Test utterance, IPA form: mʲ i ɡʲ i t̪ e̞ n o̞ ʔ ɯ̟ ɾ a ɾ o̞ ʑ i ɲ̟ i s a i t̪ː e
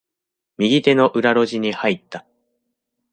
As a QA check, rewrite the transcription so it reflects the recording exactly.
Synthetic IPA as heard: mʲ i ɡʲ i t̪ e̞ n o̞ ʔ ɯ̟ ɾ a ɾ o̞ ʑ i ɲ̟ i h a i t̪ː a

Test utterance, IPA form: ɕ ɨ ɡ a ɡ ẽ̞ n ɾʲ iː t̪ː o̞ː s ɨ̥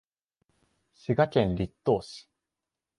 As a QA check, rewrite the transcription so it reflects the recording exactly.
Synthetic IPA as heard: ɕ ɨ ɡ a k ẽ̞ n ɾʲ i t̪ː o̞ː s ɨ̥

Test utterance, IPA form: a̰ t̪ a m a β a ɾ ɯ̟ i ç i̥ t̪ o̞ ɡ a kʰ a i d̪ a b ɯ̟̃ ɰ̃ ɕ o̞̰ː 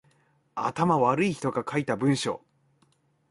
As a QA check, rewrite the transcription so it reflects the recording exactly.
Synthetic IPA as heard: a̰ t̪ a m a β a ɾ ɯ̟ i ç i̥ t̪ o̞ ɡ a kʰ a i t̪ a b ɯ̟̃ ɰ̃ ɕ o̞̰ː

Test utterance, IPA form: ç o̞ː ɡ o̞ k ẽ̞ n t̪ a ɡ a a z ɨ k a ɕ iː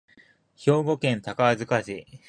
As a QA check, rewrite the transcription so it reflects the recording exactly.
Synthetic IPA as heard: ç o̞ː ɡ o̞ k ẽ̞ n t̪ a k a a z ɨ k a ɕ i

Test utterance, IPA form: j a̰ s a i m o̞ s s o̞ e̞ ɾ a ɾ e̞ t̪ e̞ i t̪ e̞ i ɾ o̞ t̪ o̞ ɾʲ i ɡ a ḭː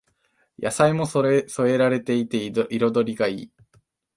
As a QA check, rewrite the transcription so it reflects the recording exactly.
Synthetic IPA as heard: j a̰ s a i m o̞ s s o̞ e̞ ɾ a ɾ e̞ t̪ e̞ i t̪ e̞ i ɾ o̞ d̪ o̞ ɾʲ i ɡ a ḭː

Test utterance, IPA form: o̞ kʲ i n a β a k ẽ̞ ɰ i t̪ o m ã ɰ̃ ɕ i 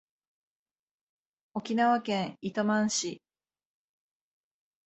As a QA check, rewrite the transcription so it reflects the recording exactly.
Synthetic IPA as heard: o̞ kʲ i n a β a k ẽ̞ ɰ i t̪ o m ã ɰ̃ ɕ i

